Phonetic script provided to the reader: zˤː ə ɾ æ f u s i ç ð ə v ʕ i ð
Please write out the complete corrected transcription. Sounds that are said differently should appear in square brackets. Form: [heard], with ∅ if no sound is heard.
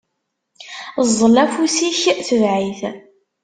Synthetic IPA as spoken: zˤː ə [l] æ f u s i ç [θ] ə v ʕ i [θ]

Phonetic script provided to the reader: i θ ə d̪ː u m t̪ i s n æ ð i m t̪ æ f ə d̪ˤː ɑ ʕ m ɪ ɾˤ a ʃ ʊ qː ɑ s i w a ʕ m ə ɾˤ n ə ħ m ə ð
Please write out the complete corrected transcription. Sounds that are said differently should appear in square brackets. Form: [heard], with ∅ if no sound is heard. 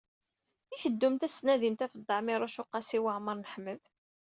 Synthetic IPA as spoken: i θ ə d̪ː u m t̪ [æ] s n æ ð i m t̪ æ f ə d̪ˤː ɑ ʕ m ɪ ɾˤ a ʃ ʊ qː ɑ s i w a ʕ m ə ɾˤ n ə ħ m ə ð

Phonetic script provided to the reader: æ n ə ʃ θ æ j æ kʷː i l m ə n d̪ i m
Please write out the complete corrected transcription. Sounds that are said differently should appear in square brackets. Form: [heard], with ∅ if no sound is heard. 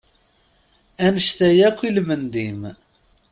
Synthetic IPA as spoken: æ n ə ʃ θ æ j æ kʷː i l m ə n d̪ i m

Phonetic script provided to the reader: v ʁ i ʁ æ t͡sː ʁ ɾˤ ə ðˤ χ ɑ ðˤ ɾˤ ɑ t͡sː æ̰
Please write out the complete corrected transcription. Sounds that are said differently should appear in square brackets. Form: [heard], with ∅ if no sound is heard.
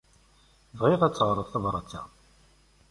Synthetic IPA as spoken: v ʁ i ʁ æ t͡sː ʁ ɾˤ ə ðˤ [θ] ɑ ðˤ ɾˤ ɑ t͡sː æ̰

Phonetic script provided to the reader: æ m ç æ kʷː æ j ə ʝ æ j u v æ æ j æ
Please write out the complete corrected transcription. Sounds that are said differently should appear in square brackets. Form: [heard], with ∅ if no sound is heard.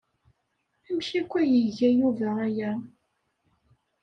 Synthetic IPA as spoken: æ m ç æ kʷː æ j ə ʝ æ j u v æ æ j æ

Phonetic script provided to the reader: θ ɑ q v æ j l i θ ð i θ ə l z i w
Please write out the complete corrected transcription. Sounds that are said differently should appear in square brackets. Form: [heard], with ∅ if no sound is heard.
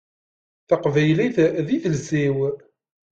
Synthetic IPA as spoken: θ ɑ q v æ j l i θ ð i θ ə l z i w

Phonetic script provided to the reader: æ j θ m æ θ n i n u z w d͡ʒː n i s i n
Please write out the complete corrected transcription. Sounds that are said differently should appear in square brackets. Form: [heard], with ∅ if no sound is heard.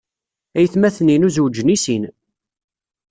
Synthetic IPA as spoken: æ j θ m æ θ n i n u z w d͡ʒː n i s i n

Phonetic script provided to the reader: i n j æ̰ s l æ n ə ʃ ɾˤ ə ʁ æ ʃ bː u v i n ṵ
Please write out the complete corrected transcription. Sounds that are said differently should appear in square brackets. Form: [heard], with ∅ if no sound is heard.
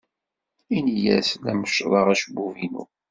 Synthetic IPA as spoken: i n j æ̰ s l æ [m] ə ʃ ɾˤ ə ʁ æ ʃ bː u v i n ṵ

